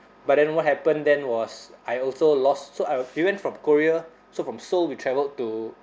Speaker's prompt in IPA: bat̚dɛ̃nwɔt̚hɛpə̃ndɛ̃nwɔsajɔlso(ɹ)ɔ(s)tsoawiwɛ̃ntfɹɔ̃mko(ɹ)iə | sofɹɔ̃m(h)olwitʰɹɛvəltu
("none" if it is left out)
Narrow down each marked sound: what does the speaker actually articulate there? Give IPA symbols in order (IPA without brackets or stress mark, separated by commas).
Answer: l, s, ɹ, s